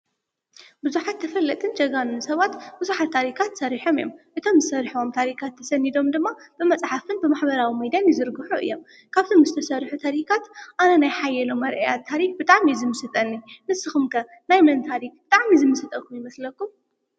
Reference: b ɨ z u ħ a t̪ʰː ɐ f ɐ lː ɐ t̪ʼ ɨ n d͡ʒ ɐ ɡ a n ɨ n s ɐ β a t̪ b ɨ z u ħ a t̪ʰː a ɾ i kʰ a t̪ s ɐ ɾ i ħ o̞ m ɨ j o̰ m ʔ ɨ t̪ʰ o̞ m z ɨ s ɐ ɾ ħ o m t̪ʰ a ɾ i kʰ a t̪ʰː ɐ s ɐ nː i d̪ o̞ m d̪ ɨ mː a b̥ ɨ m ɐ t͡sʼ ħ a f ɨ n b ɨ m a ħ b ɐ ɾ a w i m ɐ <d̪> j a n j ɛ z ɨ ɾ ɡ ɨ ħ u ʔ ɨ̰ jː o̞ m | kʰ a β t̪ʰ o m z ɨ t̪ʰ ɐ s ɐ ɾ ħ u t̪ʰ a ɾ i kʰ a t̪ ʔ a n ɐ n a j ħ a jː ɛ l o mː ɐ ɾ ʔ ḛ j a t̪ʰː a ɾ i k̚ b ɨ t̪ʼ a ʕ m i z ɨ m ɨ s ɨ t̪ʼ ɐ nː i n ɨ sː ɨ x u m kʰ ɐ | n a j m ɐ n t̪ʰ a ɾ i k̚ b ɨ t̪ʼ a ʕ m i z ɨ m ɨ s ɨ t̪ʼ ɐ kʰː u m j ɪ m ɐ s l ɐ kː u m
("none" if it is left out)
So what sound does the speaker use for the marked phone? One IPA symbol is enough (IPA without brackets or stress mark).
d̪